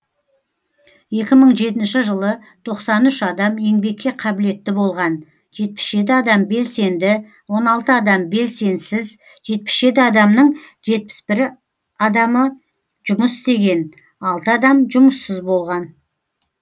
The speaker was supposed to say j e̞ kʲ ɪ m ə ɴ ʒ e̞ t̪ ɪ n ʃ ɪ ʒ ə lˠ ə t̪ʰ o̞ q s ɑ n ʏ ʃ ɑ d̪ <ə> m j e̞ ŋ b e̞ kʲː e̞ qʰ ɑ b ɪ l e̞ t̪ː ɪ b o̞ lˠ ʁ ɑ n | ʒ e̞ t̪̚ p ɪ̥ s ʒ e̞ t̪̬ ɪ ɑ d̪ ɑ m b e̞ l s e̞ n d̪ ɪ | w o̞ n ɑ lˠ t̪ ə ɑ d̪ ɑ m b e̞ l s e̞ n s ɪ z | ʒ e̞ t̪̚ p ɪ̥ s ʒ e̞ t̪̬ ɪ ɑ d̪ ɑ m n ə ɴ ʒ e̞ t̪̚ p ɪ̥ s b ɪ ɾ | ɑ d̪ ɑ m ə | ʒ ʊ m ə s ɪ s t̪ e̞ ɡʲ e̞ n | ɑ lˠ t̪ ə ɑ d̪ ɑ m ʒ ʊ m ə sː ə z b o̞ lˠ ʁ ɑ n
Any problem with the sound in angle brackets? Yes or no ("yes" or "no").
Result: yes